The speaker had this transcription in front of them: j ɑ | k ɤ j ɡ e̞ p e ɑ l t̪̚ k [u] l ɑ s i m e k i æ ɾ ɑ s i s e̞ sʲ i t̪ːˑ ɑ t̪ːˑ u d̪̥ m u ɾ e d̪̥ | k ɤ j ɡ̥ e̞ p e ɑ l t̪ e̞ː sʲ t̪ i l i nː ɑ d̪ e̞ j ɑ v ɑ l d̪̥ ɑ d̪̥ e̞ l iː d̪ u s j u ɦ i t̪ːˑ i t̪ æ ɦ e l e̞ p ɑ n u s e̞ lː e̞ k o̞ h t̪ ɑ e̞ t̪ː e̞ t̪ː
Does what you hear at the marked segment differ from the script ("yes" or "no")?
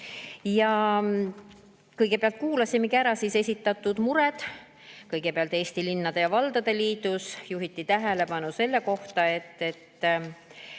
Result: yes